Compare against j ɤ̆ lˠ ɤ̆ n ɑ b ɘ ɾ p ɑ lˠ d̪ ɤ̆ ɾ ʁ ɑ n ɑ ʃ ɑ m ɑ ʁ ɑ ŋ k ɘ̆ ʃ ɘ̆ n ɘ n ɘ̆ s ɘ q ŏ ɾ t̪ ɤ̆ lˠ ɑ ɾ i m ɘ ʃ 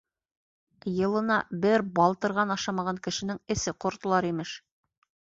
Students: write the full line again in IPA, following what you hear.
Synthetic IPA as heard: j ɤ̆ lˠ ɤ̆ n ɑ b ɘ ɾ b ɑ lˠ t̪ ɤ̆ ɾ ʁ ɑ n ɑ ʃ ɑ m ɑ ʁ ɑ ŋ k ɘ̆ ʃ ɘ̆ n ɘ ŋ ɘ̆ s ɘ q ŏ ɾ t̪ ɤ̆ lˠ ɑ ɾ i m ɘ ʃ